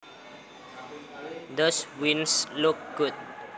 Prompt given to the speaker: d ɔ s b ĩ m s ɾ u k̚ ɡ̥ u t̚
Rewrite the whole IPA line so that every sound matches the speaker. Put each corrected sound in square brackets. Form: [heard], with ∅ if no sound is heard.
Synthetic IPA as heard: d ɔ s [w] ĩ [n] s [l] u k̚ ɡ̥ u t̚

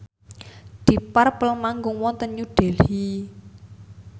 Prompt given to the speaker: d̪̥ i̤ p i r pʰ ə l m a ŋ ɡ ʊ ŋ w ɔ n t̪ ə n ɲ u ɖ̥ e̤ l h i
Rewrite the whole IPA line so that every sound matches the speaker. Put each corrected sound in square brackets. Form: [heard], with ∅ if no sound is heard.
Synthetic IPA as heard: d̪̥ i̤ p [a] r [p] ə l m a ŋ ɡ ʊ ŋ w ɔ n t̪ ə n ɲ u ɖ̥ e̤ l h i

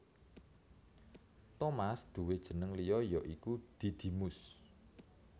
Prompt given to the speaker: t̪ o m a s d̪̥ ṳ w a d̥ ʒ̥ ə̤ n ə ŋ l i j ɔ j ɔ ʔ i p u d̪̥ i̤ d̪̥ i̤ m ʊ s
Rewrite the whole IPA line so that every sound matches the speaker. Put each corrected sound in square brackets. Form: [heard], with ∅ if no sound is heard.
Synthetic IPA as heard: t̪ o m a s d̪̥ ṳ w [e] d̥ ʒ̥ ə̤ n ə ŋ l i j ɔ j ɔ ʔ i [k] u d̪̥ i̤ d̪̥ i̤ m ʊ s

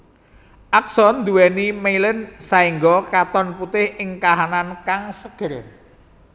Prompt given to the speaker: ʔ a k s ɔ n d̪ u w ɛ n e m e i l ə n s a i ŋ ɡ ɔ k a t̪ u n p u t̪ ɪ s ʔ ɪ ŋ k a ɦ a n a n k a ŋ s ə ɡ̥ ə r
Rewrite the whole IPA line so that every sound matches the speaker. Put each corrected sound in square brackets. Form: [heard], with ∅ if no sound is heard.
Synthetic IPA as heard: ʔ a k s ɔ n d̪ u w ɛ n [i] m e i l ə n s a i ŋ ɡ ɔ k a t̪ [ɔ] n p u t̪ ɪ [h] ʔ ɪ ŋ k a ɦ a n a n k a ŋ s ə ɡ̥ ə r

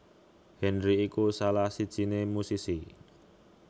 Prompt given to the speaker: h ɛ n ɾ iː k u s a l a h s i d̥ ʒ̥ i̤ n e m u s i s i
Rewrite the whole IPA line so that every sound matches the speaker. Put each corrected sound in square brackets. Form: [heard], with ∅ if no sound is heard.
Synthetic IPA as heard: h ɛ n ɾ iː k u s a l a h s i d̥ ʒ̥ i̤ n e m u s i s i

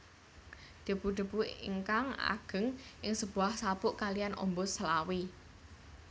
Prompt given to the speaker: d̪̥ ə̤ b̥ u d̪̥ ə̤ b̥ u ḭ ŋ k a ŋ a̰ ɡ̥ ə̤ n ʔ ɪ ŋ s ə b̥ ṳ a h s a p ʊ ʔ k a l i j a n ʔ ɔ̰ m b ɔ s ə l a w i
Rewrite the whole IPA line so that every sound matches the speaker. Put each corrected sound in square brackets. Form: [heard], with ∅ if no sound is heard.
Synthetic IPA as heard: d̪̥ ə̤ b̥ u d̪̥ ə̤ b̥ u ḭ ŋ k a ŋ a̰ ɡ̥ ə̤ [ŋ] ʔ ɪ ŋ s ə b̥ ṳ a h s a p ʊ ʔ k a l i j a n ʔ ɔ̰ m b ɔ s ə l a w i

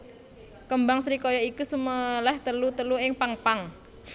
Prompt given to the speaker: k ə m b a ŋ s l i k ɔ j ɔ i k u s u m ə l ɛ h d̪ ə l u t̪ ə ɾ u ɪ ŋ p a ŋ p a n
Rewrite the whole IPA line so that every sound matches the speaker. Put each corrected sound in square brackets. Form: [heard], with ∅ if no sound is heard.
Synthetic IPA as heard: k ə m b a ŋ s [ɾ] i k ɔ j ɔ i k u s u m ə l ɛ h [t̪] ə l u t̪ ə [l] u ɪ ŋ p a ŋ p a [ŋ]

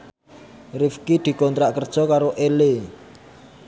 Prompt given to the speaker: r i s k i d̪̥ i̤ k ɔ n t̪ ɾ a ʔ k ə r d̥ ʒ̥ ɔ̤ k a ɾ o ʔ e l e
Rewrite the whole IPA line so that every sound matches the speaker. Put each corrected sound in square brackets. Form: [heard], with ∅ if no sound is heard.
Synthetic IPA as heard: r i [f] k i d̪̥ i̤ k ɔ n t̪ ɾ a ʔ k ə r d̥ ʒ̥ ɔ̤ k a ɾ o ʔ e l e

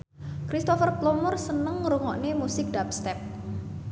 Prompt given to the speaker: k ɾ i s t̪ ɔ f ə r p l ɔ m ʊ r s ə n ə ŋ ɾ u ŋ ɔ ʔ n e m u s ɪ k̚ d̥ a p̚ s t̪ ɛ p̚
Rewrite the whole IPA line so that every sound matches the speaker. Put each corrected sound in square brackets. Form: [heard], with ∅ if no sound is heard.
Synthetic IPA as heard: k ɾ i s t̪ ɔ f ə r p l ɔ m ʊ r s ə n ə ŋ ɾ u ŋ ɔ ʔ n e m u s ɪ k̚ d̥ a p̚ s t̪ ɛ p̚

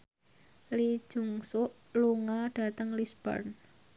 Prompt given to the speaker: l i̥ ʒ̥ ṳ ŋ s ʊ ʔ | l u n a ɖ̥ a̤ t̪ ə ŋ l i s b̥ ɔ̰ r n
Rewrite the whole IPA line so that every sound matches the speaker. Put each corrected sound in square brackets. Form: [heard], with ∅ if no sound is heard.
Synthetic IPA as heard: l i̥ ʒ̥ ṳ ŋ s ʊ ʔ | l u [ŋ] a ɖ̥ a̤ t̪ ə ŋ l i s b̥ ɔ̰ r n

